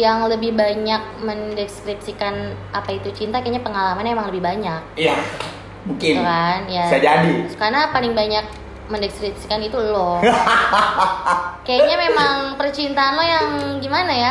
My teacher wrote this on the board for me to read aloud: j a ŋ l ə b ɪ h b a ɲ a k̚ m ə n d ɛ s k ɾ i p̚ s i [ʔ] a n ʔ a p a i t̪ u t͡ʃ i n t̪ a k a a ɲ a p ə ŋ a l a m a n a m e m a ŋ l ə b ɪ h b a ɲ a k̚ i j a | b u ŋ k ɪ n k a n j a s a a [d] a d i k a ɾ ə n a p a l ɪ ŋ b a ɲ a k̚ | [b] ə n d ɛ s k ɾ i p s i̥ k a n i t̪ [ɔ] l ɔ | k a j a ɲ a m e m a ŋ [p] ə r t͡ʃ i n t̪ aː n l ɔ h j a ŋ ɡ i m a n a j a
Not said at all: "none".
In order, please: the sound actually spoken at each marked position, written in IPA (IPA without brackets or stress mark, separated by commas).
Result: k, d͡ʒ, m, u, p